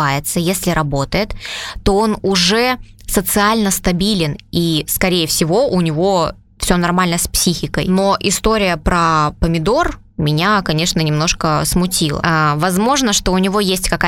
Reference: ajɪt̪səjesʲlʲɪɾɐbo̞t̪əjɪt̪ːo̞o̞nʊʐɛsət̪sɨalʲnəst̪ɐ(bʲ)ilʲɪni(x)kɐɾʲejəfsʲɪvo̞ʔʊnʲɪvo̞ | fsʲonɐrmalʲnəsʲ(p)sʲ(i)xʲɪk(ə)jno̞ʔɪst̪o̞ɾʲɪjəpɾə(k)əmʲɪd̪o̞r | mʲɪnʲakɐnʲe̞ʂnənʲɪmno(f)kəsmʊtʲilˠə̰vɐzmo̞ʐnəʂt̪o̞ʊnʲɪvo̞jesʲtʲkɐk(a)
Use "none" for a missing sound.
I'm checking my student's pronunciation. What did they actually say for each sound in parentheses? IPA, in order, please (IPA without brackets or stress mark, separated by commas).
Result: bʲ, s, p, i, ə, p, ʂ, a